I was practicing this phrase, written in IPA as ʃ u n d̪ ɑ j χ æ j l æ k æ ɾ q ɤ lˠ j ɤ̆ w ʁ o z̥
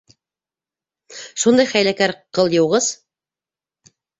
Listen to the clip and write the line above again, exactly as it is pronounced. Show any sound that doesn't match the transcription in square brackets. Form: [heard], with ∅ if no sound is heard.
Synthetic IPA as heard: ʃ u n d̪ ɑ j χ æ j l æ k æ ɾ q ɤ lˠ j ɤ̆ w ʁ [ɤ] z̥